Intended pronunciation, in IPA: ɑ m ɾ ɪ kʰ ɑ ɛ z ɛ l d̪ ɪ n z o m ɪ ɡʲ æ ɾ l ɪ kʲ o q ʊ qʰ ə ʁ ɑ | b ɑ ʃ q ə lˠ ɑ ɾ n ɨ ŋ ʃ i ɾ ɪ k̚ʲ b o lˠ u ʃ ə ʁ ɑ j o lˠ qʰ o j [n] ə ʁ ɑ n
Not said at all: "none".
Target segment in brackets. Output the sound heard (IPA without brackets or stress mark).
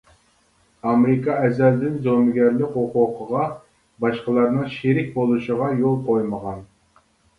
m